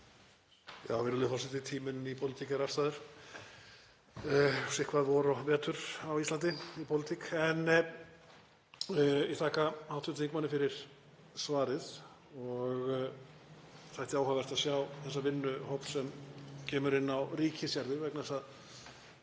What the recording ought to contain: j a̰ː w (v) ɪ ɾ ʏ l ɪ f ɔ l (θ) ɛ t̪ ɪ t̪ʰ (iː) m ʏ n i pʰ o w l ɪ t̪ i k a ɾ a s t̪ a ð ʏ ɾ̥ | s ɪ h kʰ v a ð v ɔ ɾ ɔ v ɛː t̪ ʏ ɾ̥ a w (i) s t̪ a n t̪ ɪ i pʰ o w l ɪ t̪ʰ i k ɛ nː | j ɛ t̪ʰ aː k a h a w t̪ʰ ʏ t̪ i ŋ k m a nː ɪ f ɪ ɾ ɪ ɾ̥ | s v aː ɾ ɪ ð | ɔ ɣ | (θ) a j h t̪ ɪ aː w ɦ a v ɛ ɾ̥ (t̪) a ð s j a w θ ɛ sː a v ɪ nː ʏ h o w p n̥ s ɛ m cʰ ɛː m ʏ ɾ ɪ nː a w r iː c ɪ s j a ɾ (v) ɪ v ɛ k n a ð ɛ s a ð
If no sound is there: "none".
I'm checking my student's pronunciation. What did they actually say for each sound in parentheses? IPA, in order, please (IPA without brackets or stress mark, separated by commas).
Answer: v, s, iː, i, θ, t̪, ð